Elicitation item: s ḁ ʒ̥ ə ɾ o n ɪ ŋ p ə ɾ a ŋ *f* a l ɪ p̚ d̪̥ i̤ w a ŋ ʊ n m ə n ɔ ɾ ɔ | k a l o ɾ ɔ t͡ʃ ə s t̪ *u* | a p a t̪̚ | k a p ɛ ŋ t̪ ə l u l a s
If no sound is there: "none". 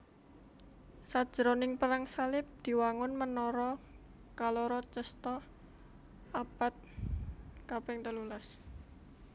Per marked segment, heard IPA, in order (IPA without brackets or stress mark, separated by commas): s, ɔ